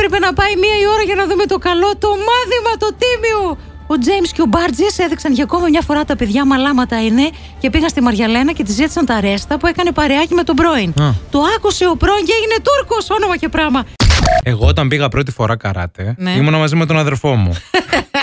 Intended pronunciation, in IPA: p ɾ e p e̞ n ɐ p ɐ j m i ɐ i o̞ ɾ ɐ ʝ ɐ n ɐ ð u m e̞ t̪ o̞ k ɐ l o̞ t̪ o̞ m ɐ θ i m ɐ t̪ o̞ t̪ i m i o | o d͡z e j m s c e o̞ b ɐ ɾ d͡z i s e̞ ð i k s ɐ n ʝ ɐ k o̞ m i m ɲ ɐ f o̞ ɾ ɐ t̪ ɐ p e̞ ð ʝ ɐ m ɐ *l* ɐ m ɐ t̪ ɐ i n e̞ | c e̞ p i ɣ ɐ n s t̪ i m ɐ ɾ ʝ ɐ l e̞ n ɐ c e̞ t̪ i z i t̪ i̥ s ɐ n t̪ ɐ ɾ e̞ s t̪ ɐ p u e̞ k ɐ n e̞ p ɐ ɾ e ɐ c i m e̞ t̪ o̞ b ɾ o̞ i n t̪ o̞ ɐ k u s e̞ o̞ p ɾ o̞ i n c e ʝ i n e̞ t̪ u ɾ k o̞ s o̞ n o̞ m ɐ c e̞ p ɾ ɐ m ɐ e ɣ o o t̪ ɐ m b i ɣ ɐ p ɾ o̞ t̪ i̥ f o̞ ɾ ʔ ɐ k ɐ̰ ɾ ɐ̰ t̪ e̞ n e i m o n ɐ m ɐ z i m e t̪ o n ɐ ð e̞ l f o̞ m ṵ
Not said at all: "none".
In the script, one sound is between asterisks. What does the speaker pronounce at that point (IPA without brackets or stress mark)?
l